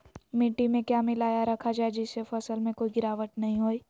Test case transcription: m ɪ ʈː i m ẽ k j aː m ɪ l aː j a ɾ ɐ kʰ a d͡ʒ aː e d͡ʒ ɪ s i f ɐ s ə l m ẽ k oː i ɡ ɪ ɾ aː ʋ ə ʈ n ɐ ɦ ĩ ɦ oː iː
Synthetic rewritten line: m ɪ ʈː i m ẽ k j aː m ɪ l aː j a ɾ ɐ kʰ a d͡ʒ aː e d͡ʒ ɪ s e f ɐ s ə l m ẽ k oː i ɡ ɪ ɾ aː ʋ ə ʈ n ɐ ɦ ĩ ɦ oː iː